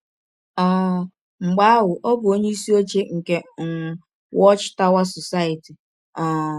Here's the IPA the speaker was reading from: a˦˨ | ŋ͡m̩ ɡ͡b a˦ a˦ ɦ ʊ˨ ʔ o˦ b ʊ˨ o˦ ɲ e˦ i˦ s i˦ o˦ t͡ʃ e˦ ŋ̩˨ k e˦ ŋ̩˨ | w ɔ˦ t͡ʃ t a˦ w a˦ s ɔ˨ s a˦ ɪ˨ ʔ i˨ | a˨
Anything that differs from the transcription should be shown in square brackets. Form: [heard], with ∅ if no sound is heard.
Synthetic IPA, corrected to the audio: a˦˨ | ŋ͡m̩ ɡ͡b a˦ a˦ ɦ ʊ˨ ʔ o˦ b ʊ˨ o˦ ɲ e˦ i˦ s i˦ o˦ t͡ʃ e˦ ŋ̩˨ k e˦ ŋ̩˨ | w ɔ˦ t͡ʃ t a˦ w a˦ s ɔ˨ s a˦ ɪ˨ [t] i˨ | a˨